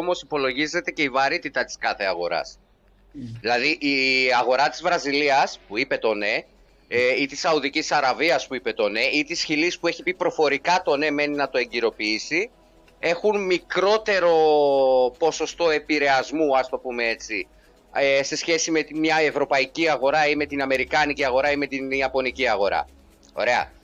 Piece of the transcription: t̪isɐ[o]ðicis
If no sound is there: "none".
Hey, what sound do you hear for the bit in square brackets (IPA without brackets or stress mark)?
u